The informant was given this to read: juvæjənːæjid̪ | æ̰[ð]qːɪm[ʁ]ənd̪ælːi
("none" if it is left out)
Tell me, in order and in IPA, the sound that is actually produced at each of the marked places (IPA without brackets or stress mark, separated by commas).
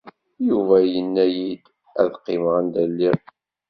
ð, ʁ